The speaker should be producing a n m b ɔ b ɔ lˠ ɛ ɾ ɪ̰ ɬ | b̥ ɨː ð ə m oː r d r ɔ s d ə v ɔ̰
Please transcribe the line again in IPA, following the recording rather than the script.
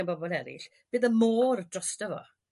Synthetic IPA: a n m b ɔ b ɔ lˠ ɛ ɾ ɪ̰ ɬ | b̥ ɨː ð ə m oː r d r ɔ s t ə v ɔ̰